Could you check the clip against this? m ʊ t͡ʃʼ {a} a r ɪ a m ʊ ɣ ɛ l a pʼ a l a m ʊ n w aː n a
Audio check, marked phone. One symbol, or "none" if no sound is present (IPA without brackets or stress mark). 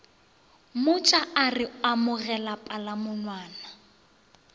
a